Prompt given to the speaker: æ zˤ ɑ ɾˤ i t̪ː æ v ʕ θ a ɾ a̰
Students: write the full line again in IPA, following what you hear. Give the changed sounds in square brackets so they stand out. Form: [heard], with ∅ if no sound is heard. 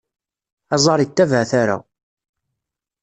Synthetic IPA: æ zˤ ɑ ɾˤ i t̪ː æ v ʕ θ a ɾ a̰